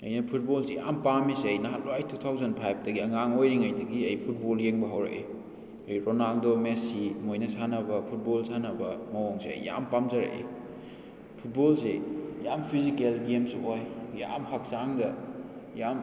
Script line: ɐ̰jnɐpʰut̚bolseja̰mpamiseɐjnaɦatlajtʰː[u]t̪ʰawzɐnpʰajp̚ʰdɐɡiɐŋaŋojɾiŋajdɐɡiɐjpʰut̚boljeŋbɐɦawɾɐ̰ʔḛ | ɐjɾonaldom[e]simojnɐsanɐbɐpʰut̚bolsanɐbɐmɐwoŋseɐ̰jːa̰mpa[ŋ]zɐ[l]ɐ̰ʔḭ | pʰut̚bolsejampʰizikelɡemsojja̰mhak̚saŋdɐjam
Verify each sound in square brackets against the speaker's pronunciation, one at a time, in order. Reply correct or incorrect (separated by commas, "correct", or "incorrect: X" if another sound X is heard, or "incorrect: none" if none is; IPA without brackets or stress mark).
correct, correct, incorrect: m, incorrect: ɾ